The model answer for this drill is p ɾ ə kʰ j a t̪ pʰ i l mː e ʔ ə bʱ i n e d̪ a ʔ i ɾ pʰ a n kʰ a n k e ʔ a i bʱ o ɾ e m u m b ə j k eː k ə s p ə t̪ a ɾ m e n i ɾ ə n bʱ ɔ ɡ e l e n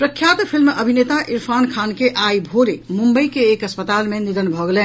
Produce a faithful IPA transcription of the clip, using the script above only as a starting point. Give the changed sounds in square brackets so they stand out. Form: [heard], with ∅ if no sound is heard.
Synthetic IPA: p ɾ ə kʰ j a t̪ pʰ i l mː e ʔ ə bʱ i n e [t̪] a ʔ i ɾ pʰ a n kʰ a n k e ʔ a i bʱ o ɾ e m u m b ə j k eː k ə s p ə t̪ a [l] m e n i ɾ ə n bʱ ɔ ɡ e l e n